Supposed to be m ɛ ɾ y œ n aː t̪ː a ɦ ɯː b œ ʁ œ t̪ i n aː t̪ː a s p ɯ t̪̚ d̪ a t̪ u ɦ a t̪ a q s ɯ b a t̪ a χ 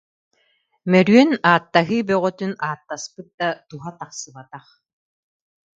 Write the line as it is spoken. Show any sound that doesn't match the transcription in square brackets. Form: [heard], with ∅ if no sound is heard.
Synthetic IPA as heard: m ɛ ɾ y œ n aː t̪ː a ɦ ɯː b œ ʁ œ t̪ [y] n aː t̪ː a s p ɯ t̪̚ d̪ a t̪ u ɦ a t̪ a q s ɯ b a t̪ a χ